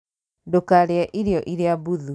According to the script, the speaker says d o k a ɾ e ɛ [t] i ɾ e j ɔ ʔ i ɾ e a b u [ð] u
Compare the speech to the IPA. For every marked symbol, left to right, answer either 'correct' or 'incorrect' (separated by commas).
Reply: incorrect, correct